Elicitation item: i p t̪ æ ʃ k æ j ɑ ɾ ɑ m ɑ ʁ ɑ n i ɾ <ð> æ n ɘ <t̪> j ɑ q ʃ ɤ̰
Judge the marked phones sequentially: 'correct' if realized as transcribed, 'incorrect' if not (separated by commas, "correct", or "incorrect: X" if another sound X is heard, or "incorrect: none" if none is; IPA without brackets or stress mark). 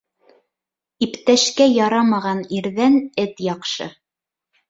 correct, correct